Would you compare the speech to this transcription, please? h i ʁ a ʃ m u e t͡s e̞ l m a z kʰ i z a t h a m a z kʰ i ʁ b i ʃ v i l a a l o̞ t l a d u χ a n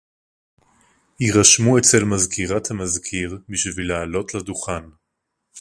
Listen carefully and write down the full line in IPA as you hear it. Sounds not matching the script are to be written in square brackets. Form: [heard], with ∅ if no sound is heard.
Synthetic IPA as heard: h i ʁ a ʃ m u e t͡s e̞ l m a z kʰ i [ʁ] a t h a m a z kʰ i ʁ b i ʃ v i l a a l o̞ t l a d u χ a n